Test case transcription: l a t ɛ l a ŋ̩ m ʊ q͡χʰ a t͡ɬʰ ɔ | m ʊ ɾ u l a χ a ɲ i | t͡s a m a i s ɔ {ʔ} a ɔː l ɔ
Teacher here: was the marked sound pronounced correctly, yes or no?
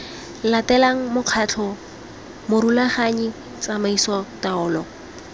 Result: no